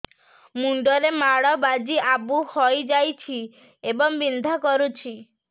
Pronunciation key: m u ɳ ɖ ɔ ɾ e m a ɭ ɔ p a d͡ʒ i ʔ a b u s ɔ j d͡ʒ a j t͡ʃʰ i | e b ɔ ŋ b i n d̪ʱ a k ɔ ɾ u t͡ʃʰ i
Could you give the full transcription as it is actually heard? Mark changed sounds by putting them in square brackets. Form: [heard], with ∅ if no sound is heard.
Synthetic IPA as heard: m u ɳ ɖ ɔ ɾ e m a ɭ ɔ [b] a d͡ʒ i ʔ a b u [h] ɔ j d͡ʒ a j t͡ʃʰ i | e b ɔ ŋ b i n d̪ʱ a k ɔ ɾ u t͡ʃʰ i